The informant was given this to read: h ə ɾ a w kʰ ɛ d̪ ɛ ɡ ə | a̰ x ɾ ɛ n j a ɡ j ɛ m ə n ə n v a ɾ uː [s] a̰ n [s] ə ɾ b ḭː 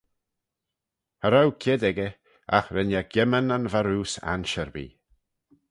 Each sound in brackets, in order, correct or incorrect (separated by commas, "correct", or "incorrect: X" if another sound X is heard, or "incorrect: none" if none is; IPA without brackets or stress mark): correct, incorrect: ʃ